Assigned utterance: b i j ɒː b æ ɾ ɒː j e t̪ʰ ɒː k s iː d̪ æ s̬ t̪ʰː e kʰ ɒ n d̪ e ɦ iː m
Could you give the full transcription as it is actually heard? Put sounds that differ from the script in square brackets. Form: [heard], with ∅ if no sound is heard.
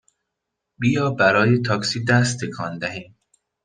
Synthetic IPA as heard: b i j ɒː b æ ɾ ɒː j e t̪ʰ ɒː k s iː d̪ æ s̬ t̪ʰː e kʰ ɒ n d̪ [æ] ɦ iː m